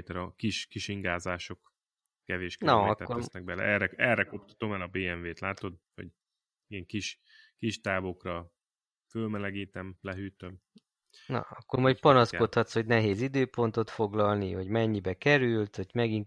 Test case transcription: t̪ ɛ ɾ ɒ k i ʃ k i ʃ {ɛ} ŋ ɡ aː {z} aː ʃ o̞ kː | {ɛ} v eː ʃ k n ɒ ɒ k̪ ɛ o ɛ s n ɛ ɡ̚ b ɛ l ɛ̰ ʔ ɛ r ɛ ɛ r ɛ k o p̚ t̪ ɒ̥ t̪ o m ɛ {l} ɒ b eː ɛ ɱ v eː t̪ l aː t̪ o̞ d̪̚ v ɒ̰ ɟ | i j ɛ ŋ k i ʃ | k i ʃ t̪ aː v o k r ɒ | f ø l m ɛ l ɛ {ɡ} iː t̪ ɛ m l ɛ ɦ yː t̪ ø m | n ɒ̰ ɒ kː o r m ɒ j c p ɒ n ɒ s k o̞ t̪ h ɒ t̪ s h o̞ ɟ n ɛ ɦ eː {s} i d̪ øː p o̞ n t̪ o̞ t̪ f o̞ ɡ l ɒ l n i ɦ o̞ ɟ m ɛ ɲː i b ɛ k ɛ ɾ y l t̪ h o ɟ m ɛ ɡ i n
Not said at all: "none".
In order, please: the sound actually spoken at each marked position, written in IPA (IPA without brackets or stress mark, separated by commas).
i, z, ɛ, l, ɡ, z